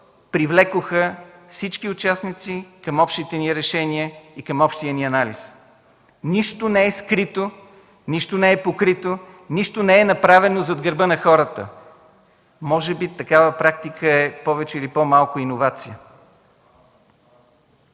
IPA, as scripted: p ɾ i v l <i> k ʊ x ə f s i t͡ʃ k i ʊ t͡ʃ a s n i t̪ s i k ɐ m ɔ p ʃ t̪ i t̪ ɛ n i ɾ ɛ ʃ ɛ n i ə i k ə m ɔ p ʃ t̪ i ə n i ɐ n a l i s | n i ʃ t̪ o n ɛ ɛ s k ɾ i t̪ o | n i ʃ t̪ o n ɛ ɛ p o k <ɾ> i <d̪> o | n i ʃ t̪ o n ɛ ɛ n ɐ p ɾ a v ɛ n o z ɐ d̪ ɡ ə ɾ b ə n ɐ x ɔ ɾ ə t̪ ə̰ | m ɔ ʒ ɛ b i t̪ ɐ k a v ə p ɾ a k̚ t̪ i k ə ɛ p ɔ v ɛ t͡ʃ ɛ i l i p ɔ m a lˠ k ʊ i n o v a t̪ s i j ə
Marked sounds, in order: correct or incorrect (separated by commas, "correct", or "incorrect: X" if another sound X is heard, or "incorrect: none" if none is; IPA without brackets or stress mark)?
incorrect: ɛ, correct, incorrect: t̪